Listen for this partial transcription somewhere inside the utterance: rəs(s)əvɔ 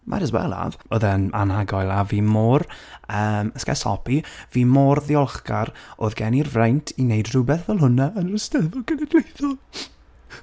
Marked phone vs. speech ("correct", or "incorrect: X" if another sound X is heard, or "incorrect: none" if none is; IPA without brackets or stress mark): incorrect: t